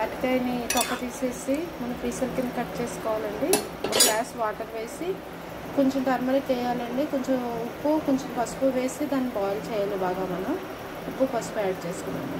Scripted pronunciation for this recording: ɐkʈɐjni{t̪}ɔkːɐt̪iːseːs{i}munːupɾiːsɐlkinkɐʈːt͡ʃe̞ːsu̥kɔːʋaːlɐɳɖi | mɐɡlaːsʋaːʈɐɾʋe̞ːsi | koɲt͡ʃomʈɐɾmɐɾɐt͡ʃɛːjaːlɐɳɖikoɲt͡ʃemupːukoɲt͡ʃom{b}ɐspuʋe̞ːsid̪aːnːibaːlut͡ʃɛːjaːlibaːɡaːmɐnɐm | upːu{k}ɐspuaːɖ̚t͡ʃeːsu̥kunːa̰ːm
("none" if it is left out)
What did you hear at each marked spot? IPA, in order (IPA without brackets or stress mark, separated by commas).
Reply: t̪, i, p, p